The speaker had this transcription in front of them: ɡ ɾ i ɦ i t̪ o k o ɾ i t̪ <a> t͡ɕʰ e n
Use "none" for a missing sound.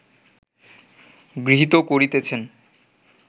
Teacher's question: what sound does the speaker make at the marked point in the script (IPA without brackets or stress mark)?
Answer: e